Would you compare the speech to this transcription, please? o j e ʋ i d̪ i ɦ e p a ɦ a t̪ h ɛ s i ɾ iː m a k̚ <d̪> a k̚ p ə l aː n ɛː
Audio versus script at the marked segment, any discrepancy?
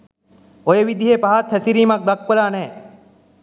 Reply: no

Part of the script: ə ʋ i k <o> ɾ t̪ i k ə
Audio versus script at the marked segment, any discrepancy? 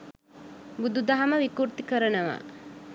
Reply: yes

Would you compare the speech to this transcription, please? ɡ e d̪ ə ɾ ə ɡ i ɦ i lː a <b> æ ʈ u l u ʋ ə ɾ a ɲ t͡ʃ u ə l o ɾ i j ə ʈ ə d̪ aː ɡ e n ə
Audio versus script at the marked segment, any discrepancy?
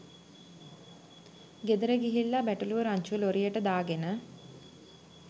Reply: no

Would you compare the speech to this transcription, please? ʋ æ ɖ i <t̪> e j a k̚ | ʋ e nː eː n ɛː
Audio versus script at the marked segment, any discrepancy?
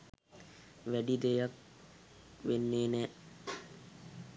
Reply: yes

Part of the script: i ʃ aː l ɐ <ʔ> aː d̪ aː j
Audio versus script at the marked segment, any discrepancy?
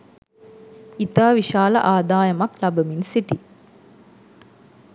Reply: no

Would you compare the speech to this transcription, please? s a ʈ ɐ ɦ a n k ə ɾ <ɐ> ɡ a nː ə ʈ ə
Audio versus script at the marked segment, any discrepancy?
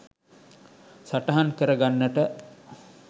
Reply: yes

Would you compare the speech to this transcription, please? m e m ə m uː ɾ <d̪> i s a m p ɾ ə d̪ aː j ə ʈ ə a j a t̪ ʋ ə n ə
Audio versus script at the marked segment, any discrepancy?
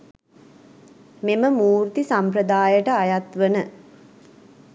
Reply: yes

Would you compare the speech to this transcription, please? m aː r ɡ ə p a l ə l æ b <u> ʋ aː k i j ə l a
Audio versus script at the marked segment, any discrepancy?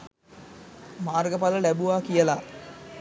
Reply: no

